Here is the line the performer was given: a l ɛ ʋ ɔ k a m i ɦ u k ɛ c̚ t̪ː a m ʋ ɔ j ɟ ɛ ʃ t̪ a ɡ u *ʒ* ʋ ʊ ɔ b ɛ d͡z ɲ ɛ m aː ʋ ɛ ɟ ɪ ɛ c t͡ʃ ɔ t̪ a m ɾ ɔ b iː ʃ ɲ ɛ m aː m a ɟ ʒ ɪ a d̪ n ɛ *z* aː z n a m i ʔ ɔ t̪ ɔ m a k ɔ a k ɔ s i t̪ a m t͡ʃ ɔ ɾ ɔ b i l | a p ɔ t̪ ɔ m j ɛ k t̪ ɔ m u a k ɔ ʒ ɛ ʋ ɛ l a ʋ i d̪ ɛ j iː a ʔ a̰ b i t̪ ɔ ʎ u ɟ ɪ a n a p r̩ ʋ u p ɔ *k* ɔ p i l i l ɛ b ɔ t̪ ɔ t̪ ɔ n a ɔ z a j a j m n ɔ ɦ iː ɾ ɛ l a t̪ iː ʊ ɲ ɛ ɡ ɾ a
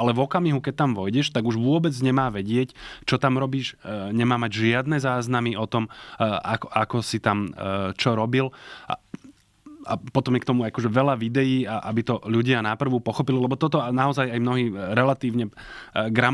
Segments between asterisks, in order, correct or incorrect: correct, correct, incorrect

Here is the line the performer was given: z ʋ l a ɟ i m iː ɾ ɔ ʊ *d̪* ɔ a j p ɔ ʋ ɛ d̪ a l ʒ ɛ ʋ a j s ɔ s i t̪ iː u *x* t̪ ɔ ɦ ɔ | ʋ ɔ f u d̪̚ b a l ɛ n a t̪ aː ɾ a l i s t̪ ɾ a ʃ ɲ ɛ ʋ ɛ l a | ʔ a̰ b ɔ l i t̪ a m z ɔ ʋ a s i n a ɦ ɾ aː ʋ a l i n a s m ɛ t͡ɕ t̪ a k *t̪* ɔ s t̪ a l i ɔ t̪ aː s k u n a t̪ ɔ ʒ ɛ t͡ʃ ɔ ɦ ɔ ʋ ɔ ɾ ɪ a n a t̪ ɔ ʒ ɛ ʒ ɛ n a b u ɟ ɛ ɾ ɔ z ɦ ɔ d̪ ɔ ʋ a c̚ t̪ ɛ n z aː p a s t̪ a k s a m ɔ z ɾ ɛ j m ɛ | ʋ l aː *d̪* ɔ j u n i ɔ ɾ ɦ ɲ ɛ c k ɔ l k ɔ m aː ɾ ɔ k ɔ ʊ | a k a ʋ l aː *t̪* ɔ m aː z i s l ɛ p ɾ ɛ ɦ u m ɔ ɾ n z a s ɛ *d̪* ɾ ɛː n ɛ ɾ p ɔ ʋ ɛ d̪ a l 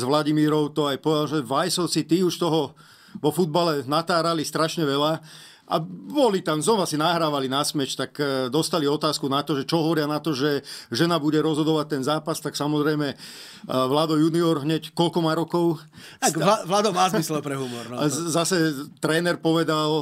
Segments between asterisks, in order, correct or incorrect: incorrect, incorrect, incorrect, correct, incorrect, incorrect

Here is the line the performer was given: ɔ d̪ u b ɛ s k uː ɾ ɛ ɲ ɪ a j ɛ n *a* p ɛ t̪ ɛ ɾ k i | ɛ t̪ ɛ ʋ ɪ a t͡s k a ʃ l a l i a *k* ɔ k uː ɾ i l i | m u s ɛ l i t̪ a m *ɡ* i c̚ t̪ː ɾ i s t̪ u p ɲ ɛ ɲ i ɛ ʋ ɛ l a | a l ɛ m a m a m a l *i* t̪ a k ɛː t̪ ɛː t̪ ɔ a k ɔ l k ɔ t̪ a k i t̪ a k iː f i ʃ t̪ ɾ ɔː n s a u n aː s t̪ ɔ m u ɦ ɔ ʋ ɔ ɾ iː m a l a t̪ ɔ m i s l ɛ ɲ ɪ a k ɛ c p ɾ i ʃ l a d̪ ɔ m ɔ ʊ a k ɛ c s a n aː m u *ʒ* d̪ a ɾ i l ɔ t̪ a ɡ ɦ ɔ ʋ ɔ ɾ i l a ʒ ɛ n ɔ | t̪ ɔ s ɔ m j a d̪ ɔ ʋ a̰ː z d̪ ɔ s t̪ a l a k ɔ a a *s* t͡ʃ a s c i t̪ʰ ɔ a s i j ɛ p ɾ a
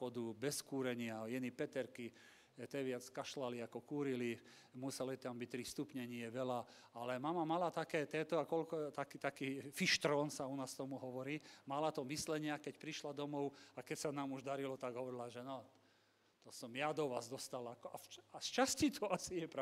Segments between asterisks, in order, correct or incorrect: incorrect, correct, incorrect, incorrect, correct, correct

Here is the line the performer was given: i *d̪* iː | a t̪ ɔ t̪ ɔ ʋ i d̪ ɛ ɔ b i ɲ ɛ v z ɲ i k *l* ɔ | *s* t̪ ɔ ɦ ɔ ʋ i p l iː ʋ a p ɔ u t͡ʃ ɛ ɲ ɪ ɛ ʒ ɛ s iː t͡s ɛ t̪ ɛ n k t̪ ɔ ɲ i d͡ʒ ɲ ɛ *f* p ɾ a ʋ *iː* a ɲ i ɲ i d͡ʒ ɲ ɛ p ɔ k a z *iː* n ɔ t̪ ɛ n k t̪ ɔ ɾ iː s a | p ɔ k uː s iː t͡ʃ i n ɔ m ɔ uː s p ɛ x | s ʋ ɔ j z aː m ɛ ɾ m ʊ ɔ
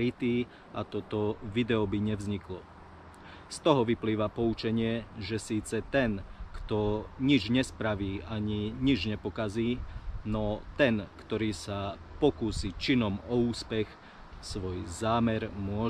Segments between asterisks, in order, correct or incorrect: incorrect, correct, correct, incorrect, correct, correct

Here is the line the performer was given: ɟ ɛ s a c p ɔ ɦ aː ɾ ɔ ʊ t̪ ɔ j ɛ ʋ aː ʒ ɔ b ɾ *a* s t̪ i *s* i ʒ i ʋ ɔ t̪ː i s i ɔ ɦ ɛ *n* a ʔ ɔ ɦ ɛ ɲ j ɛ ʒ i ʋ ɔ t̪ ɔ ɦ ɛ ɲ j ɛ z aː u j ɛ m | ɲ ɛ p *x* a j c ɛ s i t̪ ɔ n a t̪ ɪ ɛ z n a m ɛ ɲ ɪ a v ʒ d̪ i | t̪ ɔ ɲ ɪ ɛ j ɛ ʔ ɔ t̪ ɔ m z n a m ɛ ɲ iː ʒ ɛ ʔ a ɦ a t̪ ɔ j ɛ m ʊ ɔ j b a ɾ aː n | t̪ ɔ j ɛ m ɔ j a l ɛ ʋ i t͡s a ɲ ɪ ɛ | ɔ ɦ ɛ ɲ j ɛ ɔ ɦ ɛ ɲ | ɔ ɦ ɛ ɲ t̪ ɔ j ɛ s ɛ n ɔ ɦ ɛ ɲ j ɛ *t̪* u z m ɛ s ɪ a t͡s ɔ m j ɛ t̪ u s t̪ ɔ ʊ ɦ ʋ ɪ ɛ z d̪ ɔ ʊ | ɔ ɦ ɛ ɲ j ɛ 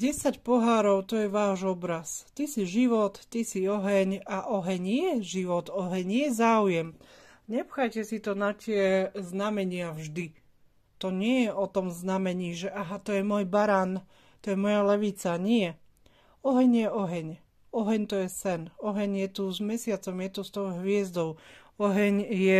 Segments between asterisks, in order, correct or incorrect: correct, correct, incorrect, correct, correct

